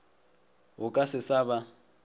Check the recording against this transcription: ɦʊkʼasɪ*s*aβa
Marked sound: correct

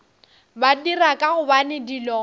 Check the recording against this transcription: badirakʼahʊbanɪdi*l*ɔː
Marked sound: correct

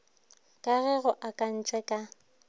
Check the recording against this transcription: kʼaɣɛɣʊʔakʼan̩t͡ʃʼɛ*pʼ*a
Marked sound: incorrect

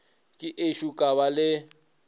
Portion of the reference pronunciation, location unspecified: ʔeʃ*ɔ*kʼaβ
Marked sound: incorrect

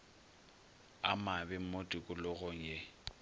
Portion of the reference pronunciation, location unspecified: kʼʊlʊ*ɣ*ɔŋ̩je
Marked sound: correct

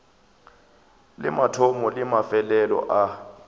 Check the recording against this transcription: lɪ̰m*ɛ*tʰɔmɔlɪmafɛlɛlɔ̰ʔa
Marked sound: incorrect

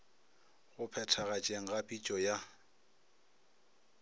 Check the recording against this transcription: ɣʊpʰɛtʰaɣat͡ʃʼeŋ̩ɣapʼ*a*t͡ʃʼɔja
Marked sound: incorrect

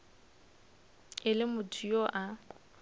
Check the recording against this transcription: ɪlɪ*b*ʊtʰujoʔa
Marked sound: incorrect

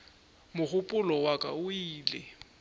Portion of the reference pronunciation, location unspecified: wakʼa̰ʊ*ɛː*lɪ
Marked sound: incorrect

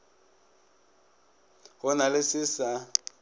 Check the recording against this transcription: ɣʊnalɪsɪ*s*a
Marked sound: correct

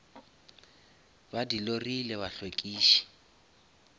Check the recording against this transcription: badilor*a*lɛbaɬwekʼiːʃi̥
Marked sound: incorrect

